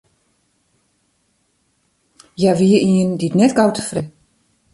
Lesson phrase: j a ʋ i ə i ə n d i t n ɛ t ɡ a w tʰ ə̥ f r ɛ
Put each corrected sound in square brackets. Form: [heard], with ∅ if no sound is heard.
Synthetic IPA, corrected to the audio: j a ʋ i ə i ə n d i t n ɛ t ɡ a w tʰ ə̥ f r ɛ

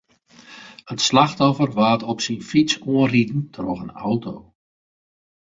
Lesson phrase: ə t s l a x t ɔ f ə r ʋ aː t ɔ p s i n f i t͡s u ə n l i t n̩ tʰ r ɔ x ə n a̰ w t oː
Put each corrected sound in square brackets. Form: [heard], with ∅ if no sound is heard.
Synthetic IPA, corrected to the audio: ə t s l a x t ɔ f ə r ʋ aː t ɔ p s i n f i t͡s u ə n [r] i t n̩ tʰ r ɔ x ə n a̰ w t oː

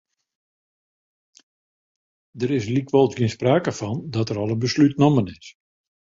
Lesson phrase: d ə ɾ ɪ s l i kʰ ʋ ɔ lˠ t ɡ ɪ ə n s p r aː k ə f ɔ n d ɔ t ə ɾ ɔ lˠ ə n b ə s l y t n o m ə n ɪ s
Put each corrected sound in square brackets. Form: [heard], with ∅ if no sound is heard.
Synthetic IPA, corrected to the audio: d ə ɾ ɪ s l i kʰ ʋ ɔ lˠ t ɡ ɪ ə n s p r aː k ə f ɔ n d ɔ t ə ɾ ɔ lˠ ə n b ə s l y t n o m ə n ɪ s

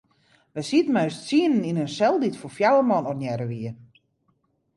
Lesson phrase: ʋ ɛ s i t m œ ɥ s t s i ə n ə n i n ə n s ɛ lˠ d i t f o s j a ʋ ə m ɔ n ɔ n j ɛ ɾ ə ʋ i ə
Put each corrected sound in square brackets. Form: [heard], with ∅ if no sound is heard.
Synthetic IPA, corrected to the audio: ʋ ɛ s i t m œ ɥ s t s i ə n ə n i n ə n s ɛ lˠ d i t f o [f] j a [w] ə m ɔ n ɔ n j ɛ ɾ ə ʋ i ə

